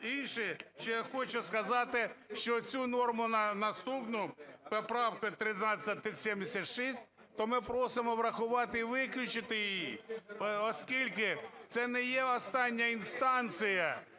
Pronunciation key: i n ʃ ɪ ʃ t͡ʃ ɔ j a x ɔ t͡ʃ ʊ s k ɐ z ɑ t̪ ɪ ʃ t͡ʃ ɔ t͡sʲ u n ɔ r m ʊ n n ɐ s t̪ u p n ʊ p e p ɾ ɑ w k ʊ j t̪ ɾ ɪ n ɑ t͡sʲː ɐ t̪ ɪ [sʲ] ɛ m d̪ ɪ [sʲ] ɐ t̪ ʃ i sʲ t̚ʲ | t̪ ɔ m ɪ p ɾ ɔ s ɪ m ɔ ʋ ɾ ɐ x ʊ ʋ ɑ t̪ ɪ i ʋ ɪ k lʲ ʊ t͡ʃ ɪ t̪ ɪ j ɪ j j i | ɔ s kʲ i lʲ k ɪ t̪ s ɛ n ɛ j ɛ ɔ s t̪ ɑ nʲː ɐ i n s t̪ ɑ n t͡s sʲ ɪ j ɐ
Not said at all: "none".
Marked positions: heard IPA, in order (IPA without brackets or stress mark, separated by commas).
sʲ, sʲ